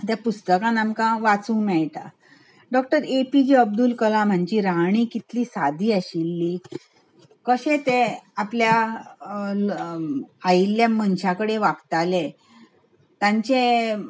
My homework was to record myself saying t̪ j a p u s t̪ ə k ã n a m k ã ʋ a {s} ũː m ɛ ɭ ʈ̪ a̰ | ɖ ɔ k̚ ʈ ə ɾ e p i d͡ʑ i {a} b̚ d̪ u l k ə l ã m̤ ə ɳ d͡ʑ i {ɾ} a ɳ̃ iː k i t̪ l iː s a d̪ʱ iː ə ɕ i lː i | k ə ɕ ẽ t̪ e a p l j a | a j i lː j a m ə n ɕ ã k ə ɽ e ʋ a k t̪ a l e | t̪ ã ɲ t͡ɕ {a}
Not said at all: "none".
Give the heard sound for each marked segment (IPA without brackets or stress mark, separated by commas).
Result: t͡s, ə, ɾ, e